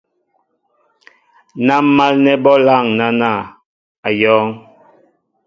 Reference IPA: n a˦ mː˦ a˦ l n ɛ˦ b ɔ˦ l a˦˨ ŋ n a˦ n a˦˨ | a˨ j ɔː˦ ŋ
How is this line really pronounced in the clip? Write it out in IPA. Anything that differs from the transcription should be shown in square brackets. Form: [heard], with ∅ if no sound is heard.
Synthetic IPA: n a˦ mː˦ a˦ l n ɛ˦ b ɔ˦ l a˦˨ ŋ n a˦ n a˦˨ | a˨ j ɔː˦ ŋ